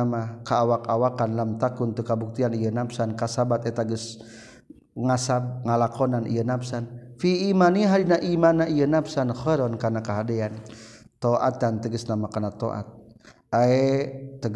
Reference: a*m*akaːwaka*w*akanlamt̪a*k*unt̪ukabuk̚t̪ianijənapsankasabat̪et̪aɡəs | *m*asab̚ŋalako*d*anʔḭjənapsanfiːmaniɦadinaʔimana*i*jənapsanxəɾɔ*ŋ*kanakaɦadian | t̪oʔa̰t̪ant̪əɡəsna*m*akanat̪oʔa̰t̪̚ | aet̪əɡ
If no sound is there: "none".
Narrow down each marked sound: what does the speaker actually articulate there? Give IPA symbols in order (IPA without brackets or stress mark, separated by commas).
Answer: m, w, k, ŋ, n, i, n, m